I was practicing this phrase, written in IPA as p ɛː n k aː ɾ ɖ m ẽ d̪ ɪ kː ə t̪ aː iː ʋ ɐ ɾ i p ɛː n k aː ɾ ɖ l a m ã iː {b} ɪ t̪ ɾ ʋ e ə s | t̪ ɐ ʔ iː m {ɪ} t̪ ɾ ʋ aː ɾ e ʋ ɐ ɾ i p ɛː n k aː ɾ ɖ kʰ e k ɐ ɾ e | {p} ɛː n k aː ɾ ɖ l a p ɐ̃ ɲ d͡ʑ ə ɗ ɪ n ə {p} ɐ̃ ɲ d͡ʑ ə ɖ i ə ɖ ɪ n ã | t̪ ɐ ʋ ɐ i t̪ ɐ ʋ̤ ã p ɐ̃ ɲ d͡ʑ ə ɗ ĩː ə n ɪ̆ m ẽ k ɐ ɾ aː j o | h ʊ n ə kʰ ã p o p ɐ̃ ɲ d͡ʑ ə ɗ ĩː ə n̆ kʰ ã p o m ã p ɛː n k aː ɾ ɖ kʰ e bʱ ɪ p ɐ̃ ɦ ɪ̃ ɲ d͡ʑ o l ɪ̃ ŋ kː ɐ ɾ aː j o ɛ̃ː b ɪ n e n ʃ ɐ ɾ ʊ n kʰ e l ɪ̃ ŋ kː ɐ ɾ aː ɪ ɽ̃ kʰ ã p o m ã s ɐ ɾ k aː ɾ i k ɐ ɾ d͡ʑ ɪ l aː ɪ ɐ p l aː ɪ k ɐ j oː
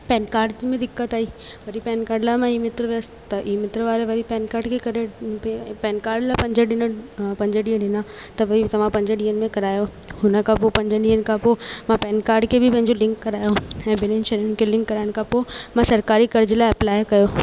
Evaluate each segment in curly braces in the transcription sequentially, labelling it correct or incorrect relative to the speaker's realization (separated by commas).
incorrect, correct, correct, correct